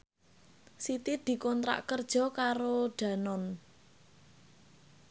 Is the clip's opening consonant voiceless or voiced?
voiceless